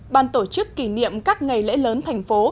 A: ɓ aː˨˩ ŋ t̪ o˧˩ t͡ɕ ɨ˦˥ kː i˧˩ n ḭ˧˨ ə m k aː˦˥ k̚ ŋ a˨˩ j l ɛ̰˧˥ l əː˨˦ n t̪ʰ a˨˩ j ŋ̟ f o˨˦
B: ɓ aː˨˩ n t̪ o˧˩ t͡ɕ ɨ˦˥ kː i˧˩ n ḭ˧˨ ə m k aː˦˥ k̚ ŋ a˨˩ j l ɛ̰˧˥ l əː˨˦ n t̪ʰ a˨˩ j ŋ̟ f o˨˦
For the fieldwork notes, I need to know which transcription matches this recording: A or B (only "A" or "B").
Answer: B